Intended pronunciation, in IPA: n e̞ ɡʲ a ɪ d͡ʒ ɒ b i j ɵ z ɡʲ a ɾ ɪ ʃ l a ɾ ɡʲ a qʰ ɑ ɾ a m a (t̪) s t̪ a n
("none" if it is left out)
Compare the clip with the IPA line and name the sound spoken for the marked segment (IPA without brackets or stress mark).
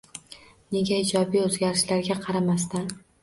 none